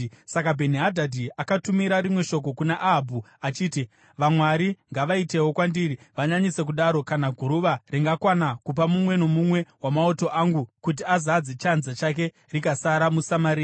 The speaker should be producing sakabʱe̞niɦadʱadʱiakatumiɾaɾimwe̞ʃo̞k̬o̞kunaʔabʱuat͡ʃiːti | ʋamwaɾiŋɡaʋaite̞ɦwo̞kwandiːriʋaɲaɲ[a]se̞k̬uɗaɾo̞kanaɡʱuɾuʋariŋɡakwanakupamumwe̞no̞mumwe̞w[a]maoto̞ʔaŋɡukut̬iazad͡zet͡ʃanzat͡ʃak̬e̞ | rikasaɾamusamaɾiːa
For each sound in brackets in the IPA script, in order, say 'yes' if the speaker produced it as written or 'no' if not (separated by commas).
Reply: no, yes